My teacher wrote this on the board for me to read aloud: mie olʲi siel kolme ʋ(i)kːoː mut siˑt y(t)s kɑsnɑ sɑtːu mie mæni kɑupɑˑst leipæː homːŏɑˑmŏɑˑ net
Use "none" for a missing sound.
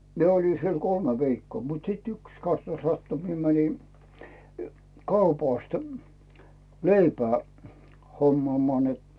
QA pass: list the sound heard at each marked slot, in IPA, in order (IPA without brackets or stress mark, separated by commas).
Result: iː, k